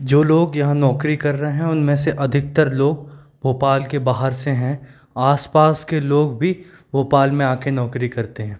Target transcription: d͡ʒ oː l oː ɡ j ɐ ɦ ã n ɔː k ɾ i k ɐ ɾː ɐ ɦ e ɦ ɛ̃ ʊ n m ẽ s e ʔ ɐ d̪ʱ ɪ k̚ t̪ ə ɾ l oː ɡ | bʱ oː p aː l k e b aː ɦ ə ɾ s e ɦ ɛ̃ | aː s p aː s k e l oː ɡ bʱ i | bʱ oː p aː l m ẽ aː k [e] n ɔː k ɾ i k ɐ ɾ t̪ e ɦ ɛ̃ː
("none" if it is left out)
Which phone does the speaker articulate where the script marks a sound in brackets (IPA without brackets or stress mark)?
e